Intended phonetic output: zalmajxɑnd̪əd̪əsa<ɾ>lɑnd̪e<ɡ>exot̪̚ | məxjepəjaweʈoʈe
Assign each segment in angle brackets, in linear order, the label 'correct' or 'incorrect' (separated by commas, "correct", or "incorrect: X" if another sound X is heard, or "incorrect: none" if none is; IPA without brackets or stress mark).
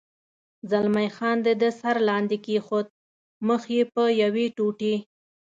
correct, incorrect: k